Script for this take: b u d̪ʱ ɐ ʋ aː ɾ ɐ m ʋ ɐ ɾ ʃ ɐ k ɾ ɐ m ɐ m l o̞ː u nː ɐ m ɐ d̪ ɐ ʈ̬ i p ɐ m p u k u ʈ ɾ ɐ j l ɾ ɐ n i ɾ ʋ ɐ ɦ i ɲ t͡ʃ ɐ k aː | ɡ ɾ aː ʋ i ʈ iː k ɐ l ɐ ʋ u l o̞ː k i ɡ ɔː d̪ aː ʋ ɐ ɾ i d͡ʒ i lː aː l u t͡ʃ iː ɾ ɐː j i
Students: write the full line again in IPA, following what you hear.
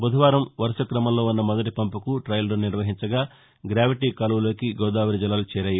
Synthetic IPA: b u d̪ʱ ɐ ʋ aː ɾ ɐ m ʋ ɐ ɾ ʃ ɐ k ɾ ɐ m ɐ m l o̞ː u nː ɐ m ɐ d̪ ɐ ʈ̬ i p ɐ m p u k u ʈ ɾ ɐ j l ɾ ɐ n i ɾ ʋ ɐ ɦ i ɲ t͡ʃ ɐ ɡ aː | ɡ ɾ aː ʋ i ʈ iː k ɐ l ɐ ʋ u l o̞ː k i ɡ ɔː d̪ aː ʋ ɐ ɾ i d͡ʒ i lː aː l u t͡ʃ ɛː ɾ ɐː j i